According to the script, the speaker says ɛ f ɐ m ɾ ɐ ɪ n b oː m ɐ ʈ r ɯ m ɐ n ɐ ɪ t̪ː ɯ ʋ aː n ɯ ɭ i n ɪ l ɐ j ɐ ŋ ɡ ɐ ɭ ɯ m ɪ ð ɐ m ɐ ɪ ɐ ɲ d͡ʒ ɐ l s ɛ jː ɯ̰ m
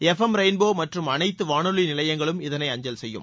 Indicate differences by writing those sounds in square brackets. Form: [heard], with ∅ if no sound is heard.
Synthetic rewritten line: ɛ f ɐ m ɾ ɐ ɪ n b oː m ɐ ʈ r ɯ m ɐ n ɐ ɪ t̪ː ɯ ʋ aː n ɯ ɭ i n ɪ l ɐ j ɐ ŋ ɡ ɐ ɭ ɯ m ɪ ð ɐ [n] ɐ ɪ ɐ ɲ d͡ʒ ɐ l s ɛ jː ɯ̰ m